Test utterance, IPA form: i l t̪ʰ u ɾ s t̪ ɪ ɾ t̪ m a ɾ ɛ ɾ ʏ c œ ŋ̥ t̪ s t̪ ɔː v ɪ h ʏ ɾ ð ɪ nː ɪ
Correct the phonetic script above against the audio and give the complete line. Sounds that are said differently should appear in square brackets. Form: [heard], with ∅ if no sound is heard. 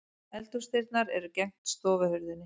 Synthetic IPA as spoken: [ɛ] l [t̪] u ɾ s t̪ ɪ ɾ t̪ [n] a ɾ ɛ ɾ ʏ c [ɛ] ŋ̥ t̪ s t̪ ɔː v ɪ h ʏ ɾ ð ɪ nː ɪ